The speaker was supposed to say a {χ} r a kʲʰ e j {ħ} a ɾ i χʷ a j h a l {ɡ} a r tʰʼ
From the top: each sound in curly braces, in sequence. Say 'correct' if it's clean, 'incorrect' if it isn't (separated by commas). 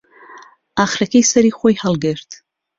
correct, incorrect, correct